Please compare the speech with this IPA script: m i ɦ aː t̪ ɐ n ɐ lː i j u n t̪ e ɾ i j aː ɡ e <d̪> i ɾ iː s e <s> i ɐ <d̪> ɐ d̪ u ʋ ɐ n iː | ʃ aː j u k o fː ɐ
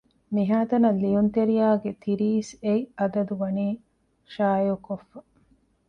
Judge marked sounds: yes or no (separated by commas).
no, no, yes